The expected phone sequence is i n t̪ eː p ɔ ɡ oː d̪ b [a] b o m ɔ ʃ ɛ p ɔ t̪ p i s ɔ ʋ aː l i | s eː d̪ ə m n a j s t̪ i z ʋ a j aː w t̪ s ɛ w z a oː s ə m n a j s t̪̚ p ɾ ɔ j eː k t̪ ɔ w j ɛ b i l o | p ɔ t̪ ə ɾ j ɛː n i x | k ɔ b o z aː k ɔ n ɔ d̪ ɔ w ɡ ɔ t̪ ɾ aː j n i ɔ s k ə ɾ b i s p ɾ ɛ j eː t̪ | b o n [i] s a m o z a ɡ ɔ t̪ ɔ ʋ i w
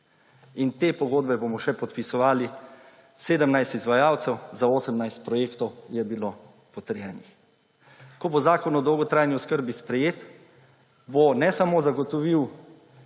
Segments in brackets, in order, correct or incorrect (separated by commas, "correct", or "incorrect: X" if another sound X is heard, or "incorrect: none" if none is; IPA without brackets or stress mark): incorrect: ɛ, incorrect: ɛ